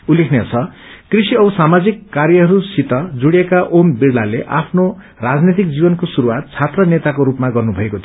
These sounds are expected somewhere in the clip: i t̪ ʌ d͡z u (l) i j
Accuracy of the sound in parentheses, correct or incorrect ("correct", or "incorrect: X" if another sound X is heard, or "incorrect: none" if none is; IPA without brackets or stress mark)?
incorrect: ɽ